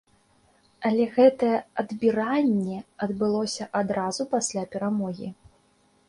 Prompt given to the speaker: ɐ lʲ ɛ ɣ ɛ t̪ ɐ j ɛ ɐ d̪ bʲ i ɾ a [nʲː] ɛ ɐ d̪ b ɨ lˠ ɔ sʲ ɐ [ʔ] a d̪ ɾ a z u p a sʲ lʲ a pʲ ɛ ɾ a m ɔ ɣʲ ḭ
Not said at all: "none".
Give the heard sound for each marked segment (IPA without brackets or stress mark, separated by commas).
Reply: nʲː, ʔ